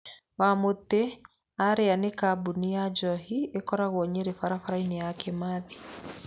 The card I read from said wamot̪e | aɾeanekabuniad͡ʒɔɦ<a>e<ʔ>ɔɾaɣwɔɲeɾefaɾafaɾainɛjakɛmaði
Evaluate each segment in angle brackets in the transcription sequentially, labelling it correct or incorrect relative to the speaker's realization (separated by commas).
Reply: incorrect, incorrect